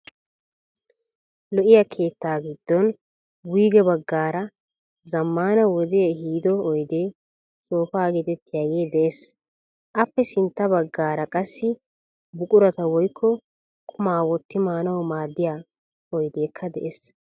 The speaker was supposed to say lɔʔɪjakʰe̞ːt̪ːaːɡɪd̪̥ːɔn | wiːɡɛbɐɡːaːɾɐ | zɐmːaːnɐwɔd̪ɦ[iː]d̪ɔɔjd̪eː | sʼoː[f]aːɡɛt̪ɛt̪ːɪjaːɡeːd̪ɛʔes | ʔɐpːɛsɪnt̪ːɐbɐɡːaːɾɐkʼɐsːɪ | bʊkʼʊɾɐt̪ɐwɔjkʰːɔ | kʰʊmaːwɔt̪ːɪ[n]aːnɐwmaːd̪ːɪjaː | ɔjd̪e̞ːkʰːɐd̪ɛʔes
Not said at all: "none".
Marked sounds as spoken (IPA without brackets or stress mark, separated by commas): iː, f, m